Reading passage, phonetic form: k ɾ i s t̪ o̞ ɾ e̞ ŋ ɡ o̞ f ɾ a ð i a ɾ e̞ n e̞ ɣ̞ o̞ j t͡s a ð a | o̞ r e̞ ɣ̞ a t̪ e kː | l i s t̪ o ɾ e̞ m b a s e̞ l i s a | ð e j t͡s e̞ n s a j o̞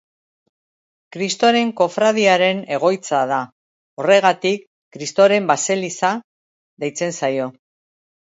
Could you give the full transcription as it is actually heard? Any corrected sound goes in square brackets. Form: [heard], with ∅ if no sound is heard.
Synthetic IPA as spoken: k ɾ i s t̪ o̞ ɾ e̞ ŋ [k] o̞ f ɾ a ð i a ɾ e̞ n e̞ ɣ̞ o̞ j t͡s a ð a | o̞ r e̞ ɣ̞ a t̪ [i] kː | [ɾ] i s t̪ o ɾ e̞ m b a s e̞ l i s a | ð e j t͡s e̞ n s a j o̞